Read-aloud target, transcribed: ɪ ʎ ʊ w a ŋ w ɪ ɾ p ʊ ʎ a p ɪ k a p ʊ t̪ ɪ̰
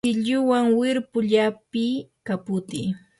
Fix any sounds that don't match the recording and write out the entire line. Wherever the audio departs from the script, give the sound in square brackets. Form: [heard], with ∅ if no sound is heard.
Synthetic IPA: ɪ ʎ ʊ w a ŋ w ɪ ɾ p ʊ ʎ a p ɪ k a p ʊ t̪ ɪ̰

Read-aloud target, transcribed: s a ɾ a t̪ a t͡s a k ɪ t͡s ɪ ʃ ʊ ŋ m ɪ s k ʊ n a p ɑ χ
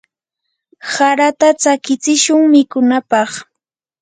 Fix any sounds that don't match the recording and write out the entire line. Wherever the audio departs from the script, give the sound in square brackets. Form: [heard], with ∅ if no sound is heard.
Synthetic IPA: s a ɾ a t̪ a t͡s a k ɪ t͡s ɪ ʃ ʊ ŋ m ɪ [∅] k ʊ n a p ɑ χ

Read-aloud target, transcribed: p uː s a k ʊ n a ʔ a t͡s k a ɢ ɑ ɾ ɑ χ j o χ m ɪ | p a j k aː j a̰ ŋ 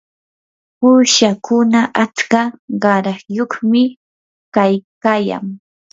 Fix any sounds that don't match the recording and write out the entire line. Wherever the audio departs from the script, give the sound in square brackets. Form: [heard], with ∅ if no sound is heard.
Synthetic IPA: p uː [ʃ] a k ʊ n a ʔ a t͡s k a ɢ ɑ ɾ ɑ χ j o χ m ɪ | [k] a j k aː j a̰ ŋ

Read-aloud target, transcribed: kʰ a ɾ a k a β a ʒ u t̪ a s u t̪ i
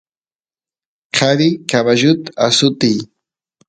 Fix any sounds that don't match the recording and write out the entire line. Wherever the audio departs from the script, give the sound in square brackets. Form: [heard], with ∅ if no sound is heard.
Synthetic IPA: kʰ a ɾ [i] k a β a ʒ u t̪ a s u t̪ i

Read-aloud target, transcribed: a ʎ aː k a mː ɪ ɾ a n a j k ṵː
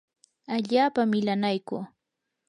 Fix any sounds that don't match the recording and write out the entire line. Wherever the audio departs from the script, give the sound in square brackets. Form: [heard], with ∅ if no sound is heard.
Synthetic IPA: a ʎ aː [p] a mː ɪ [l] a n a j k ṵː

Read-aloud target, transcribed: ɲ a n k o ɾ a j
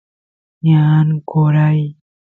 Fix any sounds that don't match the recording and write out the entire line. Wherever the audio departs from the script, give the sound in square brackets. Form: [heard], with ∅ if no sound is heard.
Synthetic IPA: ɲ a n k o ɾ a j

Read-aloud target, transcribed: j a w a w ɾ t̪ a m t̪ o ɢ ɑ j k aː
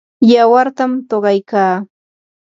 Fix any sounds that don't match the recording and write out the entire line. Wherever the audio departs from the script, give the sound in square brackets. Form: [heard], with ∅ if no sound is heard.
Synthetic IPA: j a w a [∅] ɾ t̪ a m t̪ o ɢ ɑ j k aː

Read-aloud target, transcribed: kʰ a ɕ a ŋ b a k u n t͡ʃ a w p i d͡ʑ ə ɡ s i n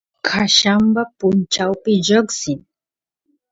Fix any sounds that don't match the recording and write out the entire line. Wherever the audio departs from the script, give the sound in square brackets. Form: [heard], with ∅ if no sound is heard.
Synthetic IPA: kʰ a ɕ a [m] b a [p] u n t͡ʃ a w p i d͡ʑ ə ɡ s i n

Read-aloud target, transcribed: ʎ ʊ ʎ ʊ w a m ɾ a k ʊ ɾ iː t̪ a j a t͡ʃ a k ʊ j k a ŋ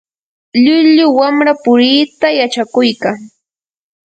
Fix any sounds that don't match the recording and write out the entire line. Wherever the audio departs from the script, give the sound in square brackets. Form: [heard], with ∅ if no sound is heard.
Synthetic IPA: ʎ ʊ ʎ ʊ w a m ɾ a [p] ʊ ɾ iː t̪ a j a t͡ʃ a k ʊ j k a ŋ

